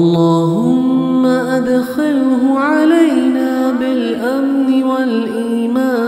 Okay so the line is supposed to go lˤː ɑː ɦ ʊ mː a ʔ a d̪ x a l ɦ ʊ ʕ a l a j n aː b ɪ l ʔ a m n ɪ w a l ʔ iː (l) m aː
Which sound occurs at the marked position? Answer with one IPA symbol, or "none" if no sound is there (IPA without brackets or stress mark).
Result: none